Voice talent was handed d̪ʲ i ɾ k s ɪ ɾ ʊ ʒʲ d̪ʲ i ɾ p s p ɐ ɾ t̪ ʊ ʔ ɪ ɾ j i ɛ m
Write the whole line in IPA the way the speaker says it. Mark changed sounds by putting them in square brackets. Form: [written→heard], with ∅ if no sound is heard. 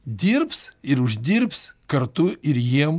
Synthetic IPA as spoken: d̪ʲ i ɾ [k→p] s ɪ ɾ ʊ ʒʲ d̪ʲ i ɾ p s [p→k] ɐ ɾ t̪ ʊ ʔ ɪ ɾ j i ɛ m